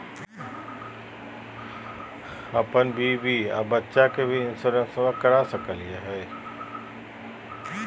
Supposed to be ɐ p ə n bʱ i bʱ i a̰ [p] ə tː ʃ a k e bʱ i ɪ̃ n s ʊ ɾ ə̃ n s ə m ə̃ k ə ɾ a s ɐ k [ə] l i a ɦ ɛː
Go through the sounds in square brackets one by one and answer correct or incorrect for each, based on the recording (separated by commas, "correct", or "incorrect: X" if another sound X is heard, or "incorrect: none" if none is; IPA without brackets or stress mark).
incorrect: b, correct